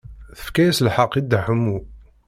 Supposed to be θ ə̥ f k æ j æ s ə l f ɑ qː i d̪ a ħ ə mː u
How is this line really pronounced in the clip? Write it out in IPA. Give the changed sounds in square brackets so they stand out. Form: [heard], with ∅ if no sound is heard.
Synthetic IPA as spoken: θ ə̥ f k æ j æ s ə l [ħ] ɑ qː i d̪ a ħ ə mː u